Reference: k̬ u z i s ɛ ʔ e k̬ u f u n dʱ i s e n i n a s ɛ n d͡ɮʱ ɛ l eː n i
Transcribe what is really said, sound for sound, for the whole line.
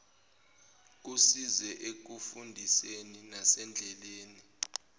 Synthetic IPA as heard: k̬ u s i z ɛ ʔ e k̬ u f u n dʱ i s e n i n a s ɛ n d͡ɮʱ ɛ l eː n i